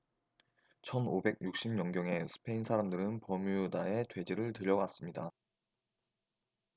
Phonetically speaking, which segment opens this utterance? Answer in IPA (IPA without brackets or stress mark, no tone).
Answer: t͡ɕʰ